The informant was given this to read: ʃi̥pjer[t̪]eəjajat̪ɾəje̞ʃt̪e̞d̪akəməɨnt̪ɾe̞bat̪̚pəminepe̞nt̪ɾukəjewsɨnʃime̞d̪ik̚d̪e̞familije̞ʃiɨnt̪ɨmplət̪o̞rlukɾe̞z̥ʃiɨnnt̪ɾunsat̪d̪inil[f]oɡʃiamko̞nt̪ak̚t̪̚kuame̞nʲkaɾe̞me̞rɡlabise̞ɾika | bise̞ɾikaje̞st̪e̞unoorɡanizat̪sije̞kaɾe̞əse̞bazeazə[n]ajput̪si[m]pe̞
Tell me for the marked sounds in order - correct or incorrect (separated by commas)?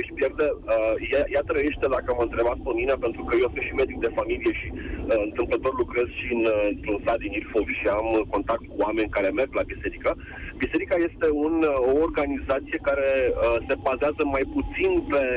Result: incorrect, correct, incorrect, incorrect